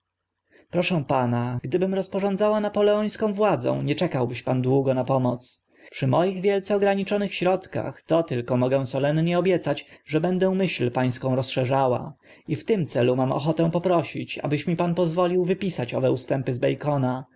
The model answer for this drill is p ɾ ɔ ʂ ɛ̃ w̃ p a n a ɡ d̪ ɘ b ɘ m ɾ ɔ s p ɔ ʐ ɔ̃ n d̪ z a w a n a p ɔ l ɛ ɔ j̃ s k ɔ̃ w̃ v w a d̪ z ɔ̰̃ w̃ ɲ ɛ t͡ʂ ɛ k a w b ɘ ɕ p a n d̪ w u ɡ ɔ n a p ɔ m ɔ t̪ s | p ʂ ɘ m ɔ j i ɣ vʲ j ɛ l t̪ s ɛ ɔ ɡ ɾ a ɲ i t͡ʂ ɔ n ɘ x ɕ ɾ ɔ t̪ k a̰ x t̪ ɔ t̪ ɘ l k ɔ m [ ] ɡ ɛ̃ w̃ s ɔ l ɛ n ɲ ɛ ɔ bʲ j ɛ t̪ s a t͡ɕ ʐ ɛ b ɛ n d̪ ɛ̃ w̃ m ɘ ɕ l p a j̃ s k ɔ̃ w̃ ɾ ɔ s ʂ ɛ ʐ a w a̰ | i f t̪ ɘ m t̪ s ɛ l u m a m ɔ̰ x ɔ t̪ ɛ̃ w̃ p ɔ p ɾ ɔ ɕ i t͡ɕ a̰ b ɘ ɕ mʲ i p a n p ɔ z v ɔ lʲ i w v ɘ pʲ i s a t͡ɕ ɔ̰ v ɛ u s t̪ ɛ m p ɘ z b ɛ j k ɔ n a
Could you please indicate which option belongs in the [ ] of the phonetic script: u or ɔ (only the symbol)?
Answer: ɔ